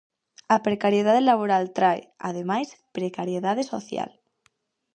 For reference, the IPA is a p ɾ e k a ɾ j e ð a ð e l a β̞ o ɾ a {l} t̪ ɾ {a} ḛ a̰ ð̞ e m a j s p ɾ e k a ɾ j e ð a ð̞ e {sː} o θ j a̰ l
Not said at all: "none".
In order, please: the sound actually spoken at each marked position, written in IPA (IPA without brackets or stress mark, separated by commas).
l, a, s